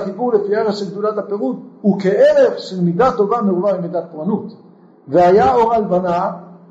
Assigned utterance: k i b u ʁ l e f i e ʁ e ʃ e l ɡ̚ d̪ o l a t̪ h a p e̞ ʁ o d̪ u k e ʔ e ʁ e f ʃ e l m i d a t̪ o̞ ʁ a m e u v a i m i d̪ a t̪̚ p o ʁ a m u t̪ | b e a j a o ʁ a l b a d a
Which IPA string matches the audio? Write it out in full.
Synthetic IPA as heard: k i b u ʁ l e f i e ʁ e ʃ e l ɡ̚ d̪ u l a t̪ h a p e̞ ʁ u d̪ u k e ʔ e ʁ e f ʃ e l m i d a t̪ o̞ v a m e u v a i m i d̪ a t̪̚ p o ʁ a n u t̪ | v e a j a o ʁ a l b a n a